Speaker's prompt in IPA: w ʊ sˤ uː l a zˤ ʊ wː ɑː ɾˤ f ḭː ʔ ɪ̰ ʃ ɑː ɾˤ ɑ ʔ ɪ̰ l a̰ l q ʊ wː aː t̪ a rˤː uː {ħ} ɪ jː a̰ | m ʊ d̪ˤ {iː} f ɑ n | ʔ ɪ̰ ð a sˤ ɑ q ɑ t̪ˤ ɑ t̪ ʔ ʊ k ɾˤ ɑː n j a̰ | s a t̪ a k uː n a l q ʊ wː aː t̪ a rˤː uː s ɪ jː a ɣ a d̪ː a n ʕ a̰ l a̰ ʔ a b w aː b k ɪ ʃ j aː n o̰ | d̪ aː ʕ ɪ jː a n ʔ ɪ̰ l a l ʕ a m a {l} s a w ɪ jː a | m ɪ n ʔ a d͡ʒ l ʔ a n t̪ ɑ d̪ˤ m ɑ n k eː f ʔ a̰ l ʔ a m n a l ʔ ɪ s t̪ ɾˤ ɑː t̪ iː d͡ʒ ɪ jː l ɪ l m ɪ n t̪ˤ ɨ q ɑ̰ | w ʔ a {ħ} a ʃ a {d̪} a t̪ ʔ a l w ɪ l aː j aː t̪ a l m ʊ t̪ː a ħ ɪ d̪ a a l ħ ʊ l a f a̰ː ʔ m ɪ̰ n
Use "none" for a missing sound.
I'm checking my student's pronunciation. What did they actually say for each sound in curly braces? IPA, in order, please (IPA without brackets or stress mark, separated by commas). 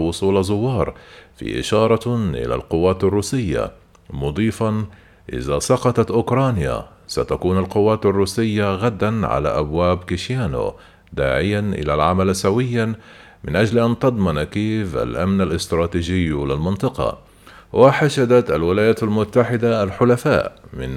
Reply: s, iː, l, ħ, d̪